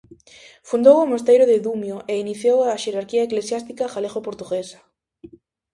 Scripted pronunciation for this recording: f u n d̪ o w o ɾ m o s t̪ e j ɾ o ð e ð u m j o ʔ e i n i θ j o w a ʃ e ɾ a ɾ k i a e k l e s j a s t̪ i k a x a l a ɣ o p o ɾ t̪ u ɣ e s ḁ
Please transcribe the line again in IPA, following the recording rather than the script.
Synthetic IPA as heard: f u n d̪ o w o m o s t̪ e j ɾ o ð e ð u m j o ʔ e i n i θ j o w a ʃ e ɾ a ɾ k i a e k l e s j a s t̪ i k a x a l e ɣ o p o ɾ t̪ u ɣ e s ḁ